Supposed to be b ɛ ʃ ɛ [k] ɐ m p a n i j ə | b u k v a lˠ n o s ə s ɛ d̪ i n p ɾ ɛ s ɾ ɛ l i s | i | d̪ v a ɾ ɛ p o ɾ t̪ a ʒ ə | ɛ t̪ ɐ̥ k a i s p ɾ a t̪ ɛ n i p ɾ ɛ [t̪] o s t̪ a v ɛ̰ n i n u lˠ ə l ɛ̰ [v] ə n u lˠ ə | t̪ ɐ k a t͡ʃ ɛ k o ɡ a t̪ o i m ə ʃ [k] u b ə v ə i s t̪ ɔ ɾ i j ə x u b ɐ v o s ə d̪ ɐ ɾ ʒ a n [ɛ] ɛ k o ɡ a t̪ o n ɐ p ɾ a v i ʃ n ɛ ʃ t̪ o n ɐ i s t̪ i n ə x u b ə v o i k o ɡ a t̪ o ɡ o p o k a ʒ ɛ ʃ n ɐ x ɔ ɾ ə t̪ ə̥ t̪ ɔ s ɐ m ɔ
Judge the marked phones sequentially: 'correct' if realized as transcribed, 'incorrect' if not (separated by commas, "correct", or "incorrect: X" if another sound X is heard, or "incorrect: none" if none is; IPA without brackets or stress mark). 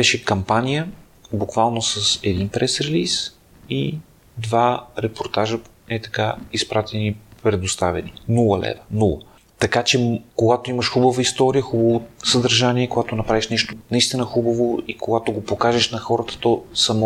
correct, incorrect: d̪, correct, incorrect: x, incorrect: i